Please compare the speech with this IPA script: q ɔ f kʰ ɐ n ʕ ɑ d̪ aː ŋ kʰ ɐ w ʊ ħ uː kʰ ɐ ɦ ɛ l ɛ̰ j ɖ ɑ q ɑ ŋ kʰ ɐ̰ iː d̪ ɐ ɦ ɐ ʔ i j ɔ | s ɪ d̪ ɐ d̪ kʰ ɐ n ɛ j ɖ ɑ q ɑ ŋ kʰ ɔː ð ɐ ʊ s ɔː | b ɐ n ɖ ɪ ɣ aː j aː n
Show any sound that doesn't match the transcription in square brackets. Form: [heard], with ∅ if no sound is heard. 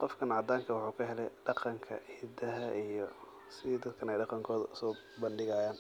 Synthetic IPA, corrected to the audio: q ɔ f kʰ ɐ n ʕ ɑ d̪ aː ŋ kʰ ɐ w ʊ ħ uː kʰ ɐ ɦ ɛ l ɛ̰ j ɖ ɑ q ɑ ŋ kʰ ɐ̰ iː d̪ ɐ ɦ ɐ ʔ i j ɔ | s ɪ d̪ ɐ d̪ kʰ ɐ n ɛ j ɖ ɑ q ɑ ŋ kʰ ɔː ð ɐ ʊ s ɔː | b ɐ n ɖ ɪ ɣ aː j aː n